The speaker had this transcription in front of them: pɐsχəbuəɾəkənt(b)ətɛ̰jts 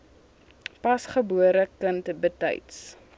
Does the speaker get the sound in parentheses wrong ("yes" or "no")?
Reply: no